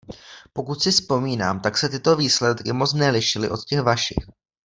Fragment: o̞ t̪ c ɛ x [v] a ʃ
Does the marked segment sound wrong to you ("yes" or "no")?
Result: no